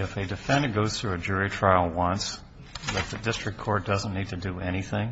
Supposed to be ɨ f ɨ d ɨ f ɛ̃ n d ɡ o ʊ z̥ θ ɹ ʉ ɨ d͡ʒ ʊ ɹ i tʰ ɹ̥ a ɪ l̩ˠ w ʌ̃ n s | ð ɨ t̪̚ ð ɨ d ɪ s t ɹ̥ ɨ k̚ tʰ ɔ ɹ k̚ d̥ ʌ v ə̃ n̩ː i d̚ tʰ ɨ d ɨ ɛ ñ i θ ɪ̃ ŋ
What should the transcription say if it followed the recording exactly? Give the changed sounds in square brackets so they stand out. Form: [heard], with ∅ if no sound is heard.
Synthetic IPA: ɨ f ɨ d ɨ f ɛ̃ n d ɡ o ʊ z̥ θ ɹ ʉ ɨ d͡ʒ ʊ ɹ i tʰ ɹ̥ a ɪ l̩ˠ w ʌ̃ n s | ð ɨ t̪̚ ð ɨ d ɪ s t ɹ̥ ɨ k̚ [kʰ] ɔ ɹ [t̚] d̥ ʌ [z] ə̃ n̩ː i d̚ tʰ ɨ d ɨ ɛ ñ i θ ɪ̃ ŋ